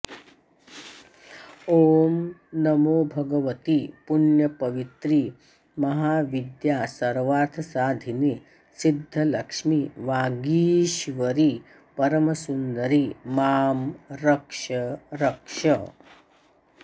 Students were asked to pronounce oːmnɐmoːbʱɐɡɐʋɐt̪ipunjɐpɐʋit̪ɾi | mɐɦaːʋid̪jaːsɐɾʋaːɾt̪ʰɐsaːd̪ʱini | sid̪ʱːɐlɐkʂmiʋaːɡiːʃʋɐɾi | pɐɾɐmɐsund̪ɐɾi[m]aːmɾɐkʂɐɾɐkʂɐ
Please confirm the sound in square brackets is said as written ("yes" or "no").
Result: yes